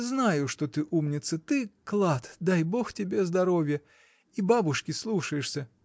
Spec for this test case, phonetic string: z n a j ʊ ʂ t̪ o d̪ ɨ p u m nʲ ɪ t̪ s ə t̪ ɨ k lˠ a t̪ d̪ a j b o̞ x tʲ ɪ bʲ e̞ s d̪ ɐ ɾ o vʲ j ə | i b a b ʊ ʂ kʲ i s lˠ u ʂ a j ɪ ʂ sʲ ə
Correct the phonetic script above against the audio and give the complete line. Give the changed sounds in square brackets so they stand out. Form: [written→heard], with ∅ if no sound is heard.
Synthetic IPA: z n a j ʊ ʂ t̪ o [d̪→t̪] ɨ [p→ʔ] u m nʲ ɪ t̪ s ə t̪ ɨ k lˠ a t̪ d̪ a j b o̞ x tʲ ɪ bʲ e̞ [s→z] d̪ ɐ ɾ o vʲ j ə | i b a b ʊ ʂ kʲ [i→ɪ] s lˠ u ʂ [a→ə] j ɪ ʂ sʲ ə